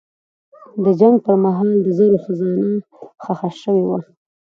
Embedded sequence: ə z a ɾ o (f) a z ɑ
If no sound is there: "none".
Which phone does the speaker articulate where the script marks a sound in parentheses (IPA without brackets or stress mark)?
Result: x